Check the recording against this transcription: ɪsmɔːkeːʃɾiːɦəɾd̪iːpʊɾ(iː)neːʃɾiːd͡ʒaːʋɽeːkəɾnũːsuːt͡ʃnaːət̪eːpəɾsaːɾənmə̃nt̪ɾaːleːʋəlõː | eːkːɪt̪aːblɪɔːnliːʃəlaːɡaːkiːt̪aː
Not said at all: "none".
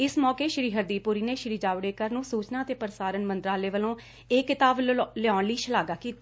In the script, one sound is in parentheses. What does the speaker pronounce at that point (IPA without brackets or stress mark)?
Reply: iː